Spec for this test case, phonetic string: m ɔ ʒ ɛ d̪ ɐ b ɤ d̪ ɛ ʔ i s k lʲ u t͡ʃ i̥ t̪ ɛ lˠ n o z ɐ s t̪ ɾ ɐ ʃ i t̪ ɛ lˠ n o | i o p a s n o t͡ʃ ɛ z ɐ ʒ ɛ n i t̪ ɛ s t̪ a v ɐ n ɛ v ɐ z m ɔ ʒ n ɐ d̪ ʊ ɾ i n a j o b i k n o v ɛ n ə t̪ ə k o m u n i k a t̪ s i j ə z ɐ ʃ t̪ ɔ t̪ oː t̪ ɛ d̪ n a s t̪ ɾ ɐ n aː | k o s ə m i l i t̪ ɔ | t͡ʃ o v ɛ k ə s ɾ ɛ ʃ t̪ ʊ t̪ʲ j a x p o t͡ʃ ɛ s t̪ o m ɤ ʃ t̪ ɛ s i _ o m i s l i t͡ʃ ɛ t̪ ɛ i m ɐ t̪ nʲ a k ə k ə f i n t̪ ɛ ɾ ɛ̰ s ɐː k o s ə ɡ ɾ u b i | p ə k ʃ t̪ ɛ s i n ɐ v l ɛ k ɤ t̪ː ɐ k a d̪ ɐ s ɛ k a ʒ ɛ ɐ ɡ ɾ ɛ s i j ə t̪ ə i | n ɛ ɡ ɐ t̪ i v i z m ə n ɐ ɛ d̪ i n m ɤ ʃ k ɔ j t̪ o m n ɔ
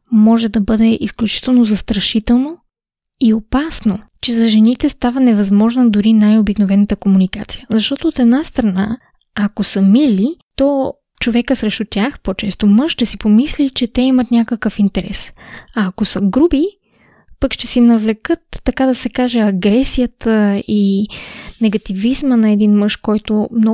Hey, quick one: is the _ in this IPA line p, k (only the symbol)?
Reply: p